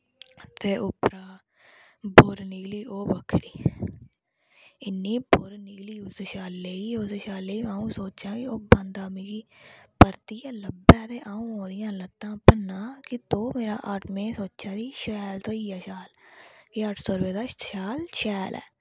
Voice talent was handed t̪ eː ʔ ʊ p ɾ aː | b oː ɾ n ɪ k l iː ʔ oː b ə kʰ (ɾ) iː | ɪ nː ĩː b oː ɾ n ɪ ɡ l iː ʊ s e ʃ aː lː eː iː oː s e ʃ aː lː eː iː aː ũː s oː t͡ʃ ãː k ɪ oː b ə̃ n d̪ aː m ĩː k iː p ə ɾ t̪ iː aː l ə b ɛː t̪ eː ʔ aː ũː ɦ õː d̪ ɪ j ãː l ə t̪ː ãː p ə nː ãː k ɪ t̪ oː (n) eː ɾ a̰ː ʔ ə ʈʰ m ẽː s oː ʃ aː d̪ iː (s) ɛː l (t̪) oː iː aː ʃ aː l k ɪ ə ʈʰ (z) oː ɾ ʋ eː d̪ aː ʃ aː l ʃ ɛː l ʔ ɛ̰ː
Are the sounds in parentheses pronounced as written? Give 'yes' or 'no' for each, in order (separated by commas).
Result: yes, no, no, yes, no